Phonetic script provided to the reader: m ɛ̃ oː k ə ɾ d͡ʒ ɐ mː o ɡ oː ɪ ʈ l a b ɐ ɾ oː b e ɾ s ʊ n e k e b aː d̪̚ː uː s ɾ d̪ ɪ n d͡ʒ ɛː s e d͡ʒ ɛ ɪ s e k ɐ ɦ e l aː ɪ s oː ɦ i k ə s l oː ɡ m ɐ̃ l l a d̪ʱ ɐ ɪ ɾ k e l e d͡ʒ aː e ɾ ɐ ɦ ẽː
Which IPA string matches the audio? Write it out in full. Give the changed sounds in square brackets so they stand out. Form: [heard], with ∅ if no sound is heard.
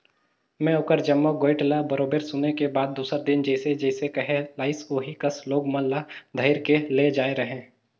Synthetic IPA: m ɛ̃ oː k ə ɾ d͡ʒ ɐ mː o ɡ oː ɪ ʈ l a b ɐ ɾ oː b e ɾ s ʊ n e k e b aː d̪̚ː uː s ɾ d̪ ɪ n d͡ʒ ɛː s e d͡ʒ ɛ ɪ s e k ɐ ɦ e l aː ɪ s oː ɦ i k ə s l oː ɡ m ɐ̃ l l a d̪ʱ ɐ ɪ ɾ k e l e d͡ʒ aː e ɾ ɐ ɦ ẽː